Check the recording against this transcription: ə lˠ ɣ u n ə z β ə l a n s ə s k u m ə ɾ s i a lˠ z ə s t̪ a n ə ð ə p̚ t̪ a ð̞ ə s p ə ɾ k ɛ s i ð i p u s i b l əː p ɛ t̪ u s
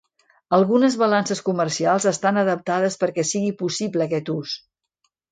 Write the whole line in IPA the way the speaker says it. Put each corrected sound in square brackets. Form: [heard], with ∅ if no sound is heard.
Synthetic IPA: ə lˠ ɣ u n ə z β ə l a n s ə s k u m ə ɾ s i a lˠ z ə s t̪ a n ə ð ə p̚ t̪ a ð̞ ə s p ə ɾ k ɛ s i [ɣ] i p u s i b l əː [k] ɛ t̪ u s